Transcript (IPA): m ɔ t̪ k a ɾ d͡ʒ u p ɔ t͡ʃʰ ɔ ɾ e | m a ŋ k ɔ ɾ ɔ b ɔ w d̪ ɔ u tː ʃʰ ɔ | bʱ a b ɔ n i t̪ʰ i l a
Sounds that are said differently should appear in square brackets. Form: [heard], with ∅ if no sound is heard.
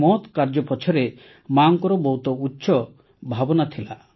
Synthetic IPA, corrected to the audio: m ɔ t̪ k a ɾ d͡ʒ [ɔ] p ɔ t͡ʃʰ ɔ ɾ e | m a ŋ k ɔ ɾ ɔ b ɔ w [t̪] ɔ u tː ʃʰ ɔ | bʱ a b ɔ n [a] t̪ʰ i l a